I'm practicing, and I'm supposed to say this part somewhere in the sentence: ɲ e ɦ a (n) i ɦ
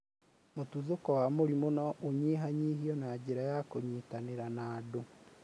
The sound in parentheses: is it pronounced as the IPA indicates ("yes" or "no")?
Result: no